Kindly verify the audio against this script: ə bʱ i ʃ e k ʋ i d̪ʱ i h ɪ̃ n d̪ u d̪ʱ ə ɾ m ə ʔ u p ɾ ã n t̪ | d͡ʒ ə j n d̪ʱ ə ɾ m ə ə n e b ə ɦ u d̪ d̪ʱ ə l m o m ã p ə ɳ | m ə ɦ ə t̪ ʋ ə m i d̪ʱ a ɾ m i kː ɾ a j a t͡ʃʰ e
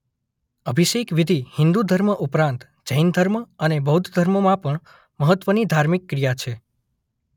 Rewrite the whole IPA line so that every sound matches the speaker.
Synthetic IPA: ə bʱ i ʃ e k ʋ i d̪ʱ i h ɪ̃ n d̪ u d̪ʱ ə ɾ m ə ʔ u p ɾ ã n t̪ | d͡ʒ ə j n d̪ʱ ə ɾ m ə ə n e b ə ɦ u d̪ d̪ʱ ə ɾ m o m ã p ə ɳ | m ə ɦ ə t̪ ʋ ə n i d̪ʱ a ɾ m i kː ɾ i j a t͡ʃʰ e

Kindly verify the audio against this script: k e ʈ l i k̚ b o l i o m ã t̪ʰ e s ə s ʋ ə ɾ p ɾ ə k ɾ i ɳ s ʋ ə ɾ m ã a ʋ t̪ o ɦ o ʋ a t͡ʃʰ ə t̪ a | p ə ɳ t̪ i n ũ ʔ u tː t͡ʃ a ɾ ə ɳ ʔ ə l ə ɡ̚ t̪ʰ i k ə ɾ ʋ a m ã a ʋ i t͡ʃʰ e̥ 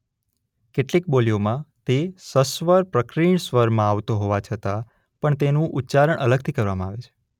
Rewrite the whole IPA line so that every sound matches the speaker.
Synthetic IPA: k e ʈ l i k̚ b o l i o m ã t̪ e s ə s ʋ ə ɾ p ɾ ə k ɾ i ɳ s ʋ ə ɾ m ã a ʋ t̪ o ɦ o ʋ a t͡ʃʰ ə t̪ a | p ə ɳ t̪ e n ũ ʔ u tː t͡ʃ a ɾ ə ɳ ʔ ə l ə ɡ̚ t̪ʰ i k ə ɾ ʋ a m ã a ʋ e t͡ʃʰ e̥

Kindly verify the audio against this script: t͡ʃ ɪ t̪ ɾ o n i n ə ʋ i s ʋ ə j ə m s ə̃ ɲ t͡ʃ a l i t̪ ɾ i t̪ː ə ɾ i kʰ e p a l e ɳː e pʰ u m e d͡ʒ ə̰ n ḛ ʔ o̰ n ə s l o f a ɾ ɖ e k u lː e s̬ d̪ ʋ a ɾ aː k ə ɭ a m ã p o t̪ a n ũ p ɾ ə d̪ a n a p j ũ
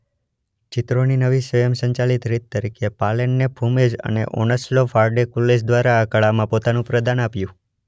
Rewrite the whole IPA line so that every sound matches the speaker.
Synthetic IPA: t͡ʃ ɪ t̪ ɾ o n i n ə ʋ i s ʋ ə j ə m s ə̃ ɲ t͡ʃ a l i t̪ ɾ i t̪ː ə ɾ i kʰ e p a l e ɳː e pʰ u m e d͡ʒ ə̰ n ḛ ʔ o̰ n ə s l o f a ɾ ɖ e k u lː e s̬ d̪ ʋ a ɾ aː k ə ɭ a m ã p o t̪ a n ũ p ɾ ə d̪ a n a p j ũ

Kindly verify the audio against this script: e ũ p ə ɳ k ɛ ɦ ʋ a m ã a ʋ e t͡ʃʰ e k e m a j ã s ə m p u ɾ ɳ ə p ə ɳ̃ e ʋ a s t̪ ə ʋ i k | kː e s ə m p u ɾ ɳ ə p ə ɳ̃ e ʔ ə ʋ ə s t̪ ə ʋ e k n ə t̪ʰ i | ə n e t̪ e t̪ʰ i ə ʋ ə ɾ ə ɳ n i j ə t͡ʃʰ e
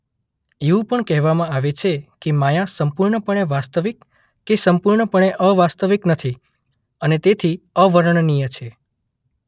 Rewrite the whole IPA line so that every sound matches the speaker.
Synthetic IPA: e ũ p ə ɳ k ɛ ɦ ʋ a m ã a ʋ e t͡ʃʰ e k e m a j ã s ə m p u ɾ ɳ ə p ə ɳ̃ e ʋ a s t̪ ə ʋ i k | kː e s ə m p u ɾ ɳ ə p ə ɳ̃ e ʔ ə ʋ a s t̪ ə ʋ i k n ə t̪ʰ i | ə n e t̪ e t̪ʰ i ə ʋ ə ɾ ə ɳ n i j ə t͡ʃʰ e

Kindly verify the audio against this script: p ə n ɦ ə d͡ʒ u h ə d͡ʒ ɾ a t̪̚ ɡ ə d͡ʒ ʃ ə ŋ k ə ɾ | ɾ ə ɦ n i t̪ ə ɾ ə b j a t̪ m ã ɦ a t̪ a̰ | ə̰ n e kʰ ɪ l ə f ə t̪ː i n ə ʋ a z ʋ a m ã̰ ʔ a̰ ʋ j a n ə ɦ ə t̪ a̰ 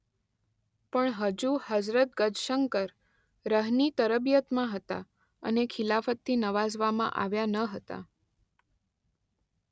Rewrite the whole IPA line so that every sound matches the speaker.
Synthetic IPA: p ə ɳ ɦ ə d͡ʒ u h ə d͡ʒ ɾ ə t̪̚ ɡ ə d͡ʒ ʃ ə ŋ k ə ɾ | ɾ ə ɦ n i t̪ ə ɾ ə b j ə t̪ m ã ɦ ə t̪ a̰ | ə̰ n e kʰ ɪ l a f ə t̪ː i n ə ʋ a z ʋ a m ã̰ ʔ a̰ ʋ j a n ə ɦ ə t̪ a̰

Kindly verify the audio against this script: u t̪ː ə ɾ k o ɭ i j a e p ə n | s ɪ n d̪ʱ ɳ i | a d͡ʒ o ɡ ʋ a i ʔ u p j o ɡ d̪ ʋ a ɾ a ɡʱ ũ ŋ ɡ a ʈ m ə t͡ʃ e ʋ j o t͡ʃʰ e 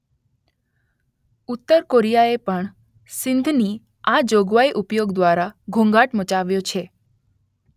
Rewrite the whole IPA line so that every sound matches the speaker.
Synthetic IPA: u t̪ː ə ɾ k o ɾ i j a e p ə ɳ | s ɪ n d̪ʱ n i | a d͡ʒ o ɡ ʋ a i ʔ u p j o ɡ d̪ ʋ a ɾ a ɡʱ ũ ŋ ɡ a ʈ m ə t͡ʃ a ʋ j o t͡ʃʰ e

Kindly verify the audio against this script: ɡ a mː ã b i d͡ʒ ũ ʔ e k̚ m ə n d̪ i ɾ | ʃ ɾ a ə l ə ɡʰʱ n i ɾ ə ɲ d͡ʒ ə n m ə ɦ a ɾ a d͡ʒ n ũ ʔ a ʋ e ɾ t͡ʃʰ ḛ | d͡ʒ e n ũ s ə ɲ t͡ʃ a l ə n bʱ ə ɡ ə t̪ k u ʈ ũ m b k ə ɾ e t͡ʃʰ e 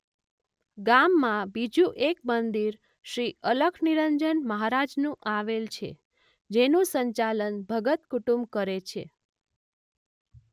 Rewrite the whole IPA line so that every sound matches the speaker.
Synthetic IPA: ɡ a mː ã b i d͡ʒ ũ ʔ e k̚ m ə n d̪ i ɾ | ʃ ɾ i ə l ə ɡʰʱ n i ɾ ə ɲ d͡ʒ ə n m ə ɦ a ɾ a d͡ʒ n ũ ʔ a ʋ e l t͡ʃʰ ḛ | d͡ʒ e n ũ s ə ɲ t͡ʃ a l ə n bʱ ə ɡ ə t̪ k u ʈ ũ m b k ə ɾ e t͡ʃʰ e

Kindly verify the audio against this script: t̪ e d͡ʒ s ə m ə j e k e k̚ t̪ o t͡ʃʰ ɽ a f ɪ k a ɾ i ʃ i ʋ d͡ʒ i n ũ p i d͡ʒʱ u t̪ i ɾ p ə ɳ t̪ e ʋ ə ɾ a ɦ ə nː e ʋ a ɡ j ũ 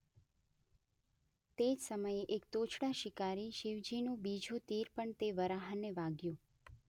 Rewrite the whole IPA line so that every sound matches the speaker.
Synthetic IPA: t̪ e d͡ʒ s ə m ə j e ʔ e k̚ t̪ o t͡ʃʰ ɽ a ʃ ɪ k a ɾ i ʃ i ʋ d͡ʒ i n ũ b i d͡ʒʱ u t̪ i ɾ p ə ɳ t̪ e ʋ ə ɾ a ɦ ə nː e ʋ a ɡ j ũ

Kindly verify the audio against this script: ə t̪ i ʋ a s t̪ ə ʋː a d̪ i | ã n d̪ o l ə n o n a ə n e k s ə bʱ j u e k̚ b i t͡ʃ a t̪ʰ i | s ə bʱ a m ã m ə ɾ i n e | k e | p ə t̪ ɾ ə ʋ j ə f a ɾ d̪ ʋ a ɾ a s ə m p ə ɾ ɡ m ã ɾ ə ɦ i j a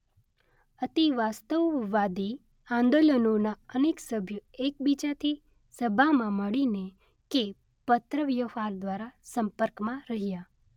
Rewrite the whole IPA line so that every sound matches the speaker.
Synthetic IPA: ə t̪ i ʋ a s t̪ ə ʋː a d̪ i | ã n d̪ o l ə n o n a ə n e k s ə bʱ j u e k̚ b i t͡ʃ a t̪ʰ i | s ə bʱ a m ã m ə ɭ i n e | k e | p ə t̪ ɾ ə ʋ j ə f a ɾ d̪ ʋ a ɾ a s ə m p ə ɾ k m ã ɾ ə ɦ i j a

